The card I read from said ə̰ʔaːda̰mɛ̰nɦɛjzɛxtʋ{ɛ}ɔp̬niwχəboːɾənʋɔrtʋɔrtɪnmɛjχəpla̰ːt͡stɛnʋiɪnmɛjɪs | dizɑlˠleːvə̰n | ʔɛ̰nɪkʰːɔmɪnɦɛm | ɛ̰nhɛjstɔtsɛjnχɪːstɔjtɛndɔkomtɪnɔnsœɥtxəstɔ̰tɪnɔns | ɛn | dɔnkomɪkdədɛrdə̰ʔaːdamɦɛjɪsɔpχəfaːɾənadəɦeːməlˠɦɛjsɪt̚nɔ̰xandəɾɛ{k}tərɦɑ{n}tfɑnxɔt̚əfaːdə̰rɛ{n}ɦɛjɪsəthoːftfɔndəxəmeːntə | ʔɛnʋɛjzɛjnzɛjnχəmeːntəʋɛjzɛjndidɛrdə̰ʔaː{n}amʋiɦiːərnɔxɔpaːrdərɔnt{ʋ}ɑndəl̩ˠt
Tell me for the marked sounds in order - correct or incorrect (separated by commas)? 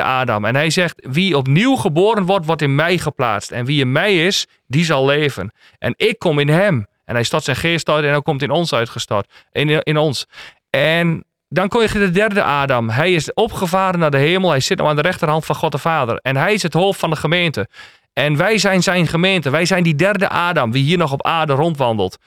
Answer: incorrect, incorrect, correct, correct, incorrect, correct